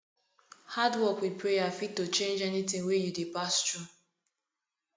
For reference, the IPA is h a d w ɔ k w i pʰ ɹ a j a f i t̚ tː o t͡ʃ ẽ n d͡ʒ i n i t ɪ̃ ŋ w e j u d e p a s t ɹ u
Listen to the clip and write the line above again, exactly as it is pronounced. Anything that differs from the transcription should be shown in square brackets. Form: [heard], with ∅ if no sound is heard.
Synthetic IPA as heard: h a d w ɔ k w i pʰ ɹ [e] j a f i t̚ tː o t͡ʃ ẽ n d͡ʒ [ɛ] n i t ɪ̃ ŋ w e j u d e p a s t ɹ u